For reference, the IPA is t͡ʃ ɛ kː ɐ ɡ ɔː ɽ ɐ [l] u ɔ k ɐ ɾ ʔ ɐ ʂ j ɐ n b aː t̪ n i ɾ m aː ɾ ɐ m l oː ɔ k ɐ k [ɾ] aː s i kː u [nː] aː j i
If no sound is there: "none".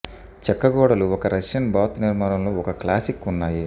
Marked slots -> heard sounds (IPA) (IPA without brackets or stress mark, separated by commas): l, l, nː